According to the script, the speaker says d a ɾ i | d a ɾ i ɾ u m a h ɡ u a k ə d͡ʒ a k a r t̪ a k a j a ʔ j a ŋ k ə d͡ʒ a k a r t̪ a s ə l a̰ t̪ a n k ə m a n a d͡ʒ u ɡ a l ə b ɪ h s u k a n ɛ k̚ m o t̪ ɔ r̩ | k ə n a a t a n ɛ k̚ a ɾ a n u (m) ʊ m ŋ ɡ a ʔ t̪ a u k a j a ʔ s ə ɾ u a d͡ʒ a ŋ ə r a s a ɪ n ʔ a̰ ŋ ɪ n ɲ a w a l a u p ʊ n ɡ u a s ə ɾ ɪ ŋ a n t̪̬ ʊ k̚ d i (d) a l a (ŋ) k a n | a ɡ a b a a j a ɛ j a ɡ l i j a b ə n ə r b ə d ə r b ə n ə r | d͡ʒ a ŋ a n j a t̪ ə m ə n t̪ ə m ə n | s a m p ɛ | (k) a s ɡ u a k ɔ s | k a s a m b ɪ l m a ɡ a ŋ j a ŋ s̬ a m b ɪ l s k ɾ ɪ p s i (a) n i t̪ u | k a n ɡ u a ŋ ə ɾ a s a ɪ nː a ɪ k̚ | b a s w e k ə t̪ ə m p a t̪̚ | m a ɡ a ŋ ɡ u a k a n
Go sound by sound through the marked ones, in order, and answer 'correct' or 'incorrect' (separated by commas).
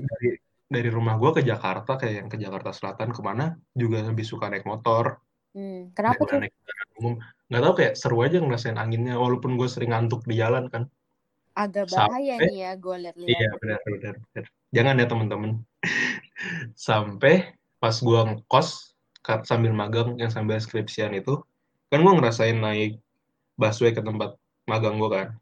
correct, incorrect, incorrect, incorrect, correct